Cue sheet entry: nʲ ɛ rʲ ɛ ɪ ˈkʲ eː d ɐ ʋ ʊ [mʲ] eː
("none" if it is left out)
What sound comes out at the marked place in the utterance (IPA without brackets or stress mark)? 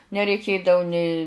nʲ